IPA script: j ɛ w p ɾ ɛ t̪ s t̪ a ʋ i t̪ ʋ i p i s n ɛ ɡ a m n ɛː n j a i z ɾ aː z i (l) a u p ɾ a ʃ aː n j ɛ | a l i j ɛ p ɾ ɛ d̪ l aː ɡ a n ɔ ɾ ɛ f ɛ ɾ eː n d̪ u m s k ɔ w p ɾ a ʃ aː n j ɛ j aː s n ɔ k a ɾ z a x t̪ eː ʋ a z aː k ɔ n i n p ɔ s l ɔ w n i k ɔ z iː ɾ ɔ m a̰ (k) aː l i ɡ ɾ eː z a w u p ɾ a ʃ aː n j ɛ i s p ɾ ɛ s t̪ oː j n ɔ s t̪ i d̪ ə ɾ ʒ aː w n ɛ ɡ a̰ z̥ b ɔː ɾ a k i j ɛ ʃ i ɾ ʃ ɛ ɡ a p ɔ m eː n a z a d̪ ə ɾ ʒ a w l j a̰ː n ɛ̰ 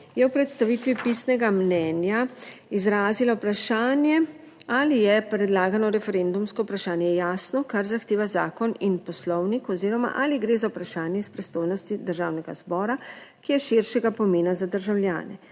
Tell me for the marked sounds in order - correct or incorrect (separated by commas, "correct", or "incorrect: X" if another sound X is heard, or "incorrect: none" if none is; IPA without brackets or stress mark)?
correct, incorrect: ʔ